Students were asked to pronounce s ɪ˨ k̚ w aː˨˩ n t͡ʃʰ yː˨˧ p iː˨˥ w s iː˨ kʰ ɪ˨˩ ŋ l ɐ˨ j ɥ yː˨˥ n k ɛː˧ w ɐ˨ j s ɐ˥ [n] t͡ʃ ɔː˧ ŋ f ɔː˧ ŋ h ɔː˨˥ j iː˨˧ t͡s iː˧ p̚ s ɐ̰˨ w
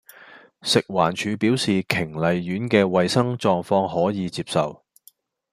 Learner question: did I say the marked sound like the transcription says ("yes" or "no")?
no